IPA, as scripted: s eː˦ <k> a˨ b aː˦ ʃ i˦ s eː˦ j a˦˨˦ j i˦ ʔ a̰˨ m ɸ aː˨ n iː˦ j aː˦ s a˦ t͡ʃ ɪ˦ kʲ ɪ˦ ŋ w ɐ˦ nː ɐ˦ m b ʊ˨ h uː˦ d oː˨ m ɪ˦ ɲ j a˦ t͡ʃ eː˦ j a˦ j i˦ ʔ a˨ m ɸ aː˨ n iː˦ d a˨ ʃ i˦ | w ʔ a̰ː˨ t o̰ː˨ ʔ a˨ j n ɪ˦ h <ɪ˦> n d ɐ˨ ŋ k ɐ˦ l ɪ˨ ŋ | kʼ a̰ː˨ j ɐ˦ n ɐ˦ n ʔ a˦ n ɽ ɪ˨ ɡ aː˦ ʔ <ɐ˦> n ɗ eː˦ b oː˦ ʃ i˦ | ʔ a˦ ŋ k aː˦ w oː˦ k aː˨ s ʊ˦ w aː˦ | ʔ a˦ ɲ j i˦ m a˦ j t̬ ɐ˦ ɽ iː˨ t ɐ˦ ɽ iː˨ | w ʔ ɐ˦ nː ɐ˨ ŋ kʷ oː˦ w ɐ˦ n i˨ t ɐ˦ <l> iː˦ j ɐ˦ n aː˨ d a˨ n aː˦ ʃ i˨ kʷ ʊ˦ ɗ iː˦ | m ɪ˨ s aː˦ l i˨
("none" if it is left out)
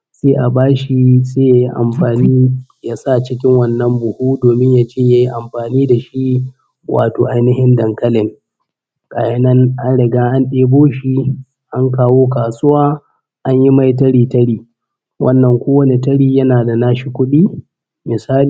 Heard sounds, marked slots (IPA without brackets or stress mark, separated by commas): ʔ, ɪ˦, a˦, ɽ